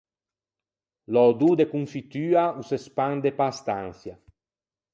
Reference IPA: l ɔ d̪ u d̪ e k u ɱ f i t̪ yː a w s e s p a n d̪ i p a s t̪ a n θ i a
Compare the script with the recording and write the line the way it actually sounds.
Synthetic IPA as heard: l ɔ d̪ u d̪ e k u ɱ f i t̪ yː a u s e s p a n d̪ e p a s t̪ a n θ j a